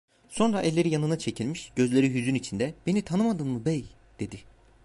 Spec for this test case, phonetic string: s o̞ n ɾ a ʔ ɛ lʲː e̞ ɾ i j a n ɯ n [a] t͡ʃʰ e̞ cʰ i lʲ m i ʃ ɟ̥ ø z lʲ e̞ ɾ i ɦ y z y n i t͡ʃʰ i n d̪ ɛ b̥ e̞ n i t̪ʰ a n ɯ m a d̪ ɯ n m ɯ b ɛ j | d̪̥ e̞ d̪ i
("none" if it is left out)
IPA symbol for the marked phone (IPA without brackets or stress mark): a